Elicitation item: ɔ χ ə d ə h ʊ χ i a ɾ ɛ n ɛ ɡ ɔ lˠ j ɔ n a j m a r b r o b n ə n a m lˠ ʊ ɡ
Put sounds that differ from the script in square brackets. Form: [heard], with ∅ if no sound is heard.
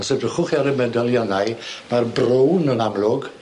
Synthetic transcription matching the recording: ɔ [s] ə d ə [χ] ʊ χ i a ɾ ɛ [m] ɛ [d] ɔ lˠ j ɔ n a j m a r b r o [w] n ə n a m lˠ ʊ ɡ